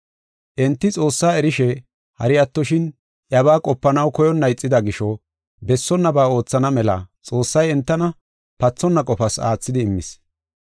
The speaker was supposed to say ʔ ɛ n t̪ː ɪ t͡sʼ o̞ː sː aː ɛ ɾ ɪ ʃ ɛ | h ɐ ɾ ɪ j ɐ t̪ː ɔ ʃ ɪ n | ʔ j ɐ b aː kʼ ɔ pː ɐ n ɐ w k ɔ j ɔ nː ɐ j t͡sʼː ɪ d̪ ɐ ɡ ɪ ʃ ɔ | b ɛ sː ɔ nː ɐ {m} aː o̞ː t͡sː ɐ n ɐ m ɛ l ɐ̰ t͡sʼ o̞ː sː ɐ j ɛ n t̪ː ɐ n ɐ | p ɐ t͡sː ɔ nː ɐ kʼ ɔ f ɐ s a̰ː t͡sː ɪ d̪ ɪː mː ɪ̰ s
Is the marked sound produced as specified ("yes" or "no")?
no